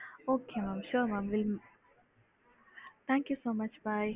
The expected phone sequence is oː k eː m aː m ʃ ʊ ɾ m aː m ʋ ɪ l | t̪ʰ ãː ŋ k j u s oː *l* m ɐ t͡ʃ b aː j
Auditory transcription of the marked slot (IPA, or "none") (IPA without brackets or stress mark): none